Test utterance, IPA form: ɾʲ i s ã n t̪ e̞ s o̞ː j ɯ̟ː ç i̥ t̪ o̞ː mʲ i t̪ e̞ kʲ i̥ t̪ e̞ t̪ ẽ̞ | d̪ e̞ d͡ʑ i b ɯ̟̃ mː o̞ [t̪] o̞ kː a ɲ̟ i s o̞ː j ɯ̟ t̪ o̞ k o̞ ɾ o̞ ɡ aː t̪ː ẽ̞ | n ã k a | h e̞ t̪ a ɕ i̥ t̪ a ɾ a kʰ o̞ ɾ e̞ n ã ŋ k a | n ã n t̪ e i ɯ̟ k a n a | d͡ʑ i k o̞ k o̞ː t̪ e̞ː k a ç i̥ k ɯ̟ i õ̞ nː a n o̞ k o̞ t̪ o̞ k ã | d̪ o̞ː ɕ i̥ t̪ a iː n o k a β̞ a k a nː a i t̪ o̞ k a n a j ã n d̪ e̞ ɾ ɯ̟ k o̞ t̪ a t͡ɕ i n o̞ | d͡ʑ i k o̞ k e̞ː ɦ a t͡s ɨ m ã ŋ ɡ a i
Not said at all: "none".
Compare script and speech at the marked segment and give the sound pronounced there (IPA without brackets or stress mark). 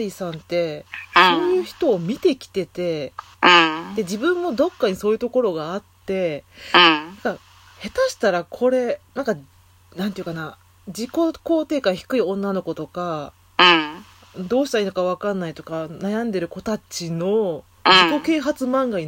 d̪